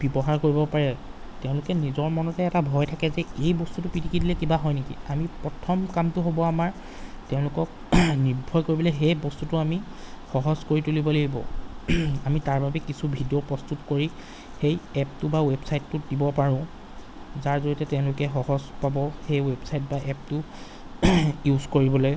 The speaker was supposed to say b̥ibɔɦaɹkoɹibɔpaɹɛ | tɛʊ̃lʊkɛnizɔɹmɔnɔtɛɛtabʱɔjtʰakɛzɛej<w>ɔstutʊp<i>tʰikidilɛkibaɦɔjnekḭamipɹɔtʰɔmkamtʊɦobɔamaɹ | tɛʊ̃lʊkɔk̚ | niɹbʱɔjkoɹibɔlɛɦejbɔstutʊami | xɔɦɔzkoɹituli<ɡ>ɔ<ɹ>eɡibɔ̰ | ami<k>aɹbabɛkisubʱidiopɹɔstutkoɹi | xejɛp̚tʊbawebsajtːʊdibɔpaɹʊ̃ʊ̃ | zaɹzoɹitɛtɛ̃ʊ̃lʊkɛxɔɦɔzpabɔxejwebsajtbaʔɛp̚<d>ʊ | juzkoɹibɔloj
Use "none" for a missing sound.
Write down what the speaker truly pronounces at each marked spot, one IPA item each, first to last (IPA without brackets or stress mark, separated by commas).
b, i, b, l, t, t